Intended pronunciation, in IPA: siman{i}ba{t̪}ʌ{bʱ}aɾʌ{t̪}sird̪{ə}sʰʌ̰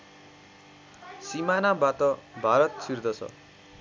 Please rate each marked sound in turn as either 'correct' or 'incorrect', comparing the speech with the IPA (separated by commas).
incorrect, correct, correct, correct, incorrect